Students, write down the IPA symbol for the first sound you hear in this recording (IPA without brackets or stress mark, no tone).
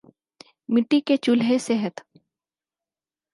m